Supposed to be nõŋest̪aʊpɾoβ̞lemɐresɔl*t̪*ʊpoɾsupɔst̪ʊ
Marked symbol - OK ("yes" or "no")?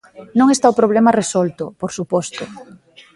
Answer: yes